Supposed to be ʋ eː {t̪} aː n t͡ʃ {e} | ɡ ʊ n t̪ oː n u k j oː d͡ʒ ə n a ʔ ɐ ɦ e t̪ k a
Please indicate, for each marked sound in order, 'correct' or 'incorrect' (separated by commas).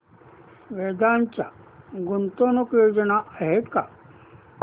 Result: incorrect, incorrect